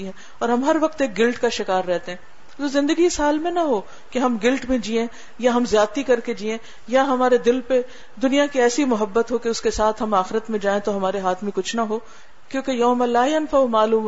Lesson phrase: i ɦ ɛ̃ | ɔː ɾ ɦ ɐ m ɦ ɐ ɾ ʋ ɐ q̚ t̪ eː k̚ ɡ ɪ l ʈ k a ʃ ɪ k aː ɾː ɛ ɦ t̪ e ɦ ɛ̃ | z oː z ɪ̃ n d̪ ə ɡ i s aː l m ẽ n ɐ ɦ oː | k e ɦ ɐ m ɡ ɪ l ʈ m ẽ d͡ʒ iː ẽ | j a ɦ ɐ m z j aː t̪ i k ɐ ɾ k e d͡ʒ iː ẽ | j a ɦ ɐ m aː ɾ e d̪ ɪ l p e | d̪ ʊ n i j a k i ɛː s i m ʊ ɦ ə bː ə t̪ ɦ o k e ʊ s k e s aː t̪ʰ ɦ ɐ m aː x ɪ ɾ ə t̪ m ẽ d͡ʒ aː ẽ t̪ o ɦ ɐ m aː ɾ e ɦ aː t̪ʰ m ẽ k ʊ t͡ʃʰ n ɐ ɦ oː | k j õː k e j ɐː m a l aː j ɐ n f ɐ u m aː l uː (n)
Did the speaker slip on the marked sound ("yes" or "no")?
yes